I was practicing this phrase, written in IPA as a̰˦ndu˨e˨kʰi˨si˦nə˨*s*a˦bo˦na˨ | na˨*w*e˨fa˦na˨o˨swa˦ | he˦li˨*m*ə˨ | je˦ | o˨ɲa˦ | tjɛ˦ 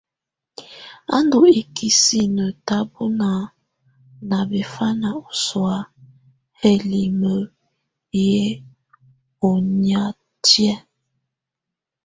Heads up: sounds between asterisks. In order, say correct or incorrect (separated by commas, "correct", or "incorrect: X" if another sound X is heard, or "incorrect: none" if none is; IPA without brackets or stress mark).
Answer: incorrect: t, incorrect: b, correct